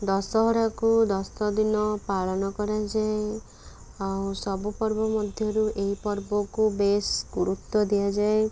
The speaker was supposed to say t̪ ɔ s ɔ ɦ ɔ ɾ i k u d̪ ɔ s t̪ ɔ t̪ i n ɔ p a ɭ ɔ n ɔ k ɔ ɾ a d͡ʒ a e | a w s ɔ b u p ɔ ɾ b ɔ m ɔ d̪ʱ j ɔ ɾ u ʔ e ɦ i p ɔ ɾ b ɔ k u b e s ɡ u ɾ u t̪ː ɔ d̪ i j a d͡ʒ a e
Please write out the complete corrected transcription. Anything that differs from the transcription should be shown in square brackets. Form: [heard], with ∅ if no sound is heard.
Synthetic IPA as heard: [d̪] ɔ s ɔ ɦ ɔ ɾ [a] k u d̪ ɔ s t̪ ɔ [d̪] i n ɔ p a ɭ ɔ n ɔ k ɔ ɾ a d͡ʒ a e | a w s ɔ b u p ɔ ɾ b ɔ m ɔ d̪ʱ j ɔ ɾ u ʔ e ɦ i p ɔ ɾ b ɔ k u b e s ɡ u ɾ u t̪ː ɔ d̪ i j a d͡ʒ a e

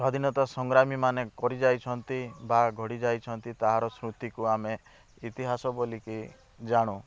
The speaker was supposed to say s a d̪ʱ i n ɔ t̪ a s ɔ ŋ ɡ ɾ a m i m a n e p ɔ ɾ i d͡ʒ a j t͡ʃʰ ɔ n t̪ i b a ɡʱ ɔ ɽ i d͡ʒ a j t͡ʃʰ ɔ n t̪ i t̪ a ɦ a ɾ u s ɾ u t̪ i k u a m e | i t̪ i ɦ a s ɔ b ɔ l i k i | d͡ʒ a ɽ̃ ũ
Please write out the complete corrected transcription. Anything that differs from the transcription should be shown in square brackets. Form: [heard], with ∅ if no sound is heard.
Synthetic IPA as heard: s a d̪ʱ i n ɔ t̪ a s ɔ ŋ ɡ ɾ a m i m a n e [k] ɔ ɾ i d͡ʒ a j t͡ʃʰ ɔ n t̪ i b a ɡʱ ɔ ɽ i d͡ʒ a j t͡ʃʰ ɔ n t̪ i t̪ a ɦ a ɾ [ɔ] s ɾ u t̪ i k u a m e | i t̪ i ɦ a s ɔ b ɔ l i k i | d͡ʒ a ɽ̃ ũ

